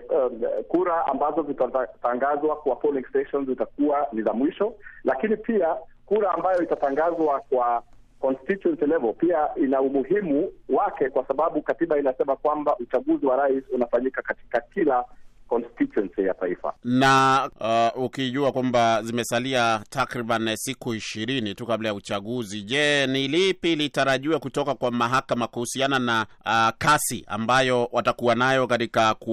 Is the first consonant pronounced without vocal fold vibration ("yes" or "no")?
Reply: yes